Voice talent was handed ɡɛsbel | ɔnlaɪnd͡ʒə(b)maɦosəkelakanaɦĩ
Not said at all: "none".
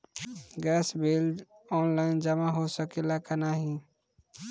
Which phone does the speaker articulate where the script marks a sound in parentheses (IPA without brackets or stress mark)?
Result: none